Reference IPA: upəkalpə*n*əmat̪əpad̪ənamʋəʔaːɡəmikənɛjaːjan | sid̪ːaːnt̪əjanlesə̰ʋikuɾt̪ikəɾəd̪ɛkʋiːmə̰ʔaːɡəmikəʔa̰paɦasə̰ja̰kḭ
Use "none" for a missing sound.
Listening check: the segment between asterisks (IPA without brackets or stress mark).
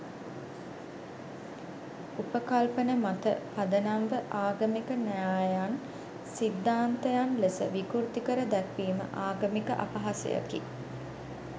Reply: n